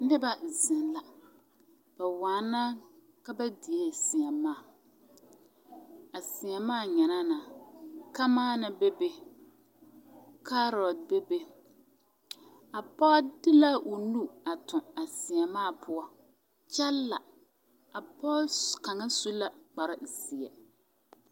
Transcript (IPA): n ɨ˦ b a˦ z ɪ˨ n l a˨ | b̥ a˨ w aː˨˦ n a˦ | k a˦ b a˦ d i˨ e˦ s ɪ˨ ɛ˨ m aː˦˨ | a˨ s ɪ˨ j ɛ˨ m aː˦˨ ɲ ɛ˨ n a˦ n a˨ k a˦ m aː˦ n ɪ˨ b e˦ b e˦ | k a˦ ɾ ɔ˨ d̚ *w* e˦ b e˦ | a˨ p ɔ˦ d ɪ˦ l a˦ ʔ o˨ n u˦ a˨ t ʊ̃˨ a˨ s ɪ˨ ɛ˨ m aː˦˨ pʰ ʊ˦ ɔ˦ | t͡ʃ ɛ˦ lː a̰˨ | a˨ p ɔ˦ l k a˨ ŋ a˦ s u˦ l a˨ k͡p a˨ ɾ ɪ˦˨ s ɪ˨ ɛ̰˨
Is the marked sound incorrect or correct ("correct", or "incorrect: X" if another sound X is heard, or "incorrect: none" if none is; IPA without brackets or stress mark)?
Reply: incorrect: b